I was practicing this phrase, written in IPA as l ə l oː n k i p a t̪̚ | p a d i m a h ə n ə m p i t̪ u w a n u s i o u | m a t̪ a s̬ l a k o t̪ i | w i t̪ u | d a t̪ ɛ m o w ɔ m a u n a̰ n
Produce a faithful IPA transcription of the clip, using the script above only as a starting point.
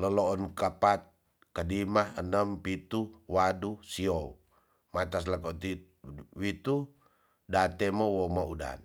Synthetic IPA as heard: l ə l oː n k a p a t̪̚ | k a d i m a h ə n ə m p i t̪ u w a d u s i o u | m a t̪ a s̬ l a k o t̪ i | w i t̪ u | d a t̪ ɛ m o w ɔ m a u d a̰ n